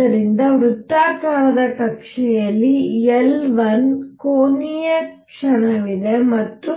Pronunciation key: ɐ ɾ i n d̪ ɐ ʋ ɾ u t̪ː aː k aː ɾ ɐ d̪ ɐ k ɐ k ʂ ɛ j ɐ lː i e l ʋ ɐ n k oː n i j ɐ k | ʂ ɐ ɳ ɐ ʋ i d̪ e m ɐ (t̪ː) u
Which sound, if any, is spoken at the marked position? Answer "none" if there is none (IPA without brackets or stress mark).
t̪ː